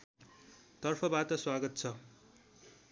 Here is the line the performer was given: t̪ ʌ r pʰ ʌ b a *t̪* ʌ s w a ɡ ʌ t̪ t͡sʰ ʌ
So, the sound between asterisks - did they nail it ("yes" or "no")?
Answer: yes